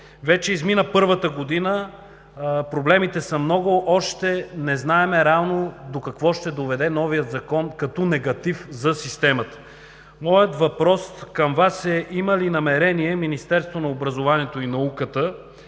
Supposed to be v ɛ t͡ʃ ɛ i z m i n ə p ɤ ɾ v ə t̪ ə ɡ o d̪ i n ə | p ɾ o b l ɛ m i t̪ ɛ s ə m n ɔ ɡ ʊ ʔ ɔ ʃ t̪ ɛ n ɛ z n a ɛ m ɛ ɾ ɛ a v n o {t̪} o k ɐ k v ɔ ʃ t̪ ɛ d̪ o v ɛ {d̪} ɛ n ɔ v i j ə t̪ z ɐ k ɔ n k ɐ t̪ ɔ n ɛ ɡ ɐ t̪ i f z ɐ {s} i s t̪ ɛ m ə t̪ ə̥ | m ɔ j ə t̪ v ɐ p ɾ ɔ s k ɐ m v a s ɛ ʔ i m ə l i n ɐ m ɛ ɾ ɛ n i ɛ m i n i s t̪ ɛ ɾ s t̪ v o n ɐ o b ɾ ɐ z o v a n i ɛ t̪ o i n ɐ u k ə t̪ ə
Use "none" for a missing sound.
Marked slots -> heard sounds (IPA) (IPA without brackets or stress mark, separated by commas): d̪, d̪, s